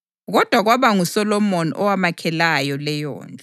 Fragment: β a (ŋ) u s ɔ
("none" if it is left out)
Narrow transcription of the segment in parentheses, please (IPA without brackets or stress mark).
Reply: ŋ